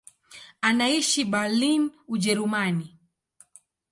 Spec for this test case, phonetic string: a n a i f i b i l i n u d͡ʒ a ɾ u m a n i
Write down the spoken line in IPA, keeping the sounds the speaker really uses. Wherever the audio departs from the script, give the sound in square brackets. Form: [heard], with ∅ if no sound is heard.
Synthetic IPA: a n a i [ʃ] i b [a] l i n u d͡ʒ [ɛ] ɾ u m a n i